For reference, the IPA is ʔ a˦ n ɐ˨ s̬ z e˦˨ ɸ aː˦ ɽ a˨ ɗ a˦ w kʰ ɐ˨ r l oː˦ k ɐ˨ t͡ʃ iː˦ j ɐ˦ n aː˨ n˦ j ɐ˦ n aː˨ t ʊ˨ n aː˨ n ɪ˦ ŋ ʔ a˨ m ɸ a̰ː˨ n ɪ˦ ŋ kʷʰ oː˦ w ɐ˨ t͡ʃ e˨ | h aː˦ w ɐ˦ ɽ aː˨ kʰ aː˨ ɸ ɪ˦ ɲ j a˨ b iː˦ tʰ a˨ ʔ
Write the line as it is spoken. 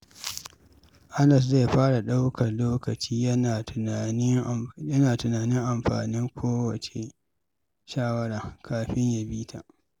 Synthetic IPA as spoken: ʔ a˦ n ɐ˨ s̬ z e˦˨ ɸ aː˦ ɽ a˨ ɗ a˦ w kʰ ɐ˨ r l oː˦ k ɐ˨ t͡ʃ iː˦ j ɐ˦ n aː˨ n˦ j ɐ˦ n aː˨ t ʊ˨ n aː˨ n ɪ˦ ŋ ʔ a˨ m ɸ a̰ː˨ n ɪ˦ ŋ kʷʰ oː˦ w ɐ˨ t͡ʃ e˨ | ʃ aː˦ w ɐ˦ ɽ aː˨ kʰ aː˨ ɸ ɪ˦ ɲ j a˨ b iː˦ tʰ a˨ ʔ